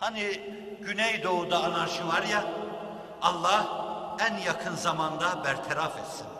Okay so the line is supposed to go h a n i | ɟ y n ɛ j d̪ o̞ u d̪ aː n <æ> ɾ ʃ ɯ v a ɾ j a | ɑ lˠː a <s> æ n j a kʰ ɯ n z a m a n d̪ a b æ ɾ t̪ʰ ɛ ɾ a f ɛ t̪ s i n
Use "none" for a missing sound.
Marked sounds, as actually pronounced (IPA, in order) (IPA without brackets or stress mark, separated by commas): a, h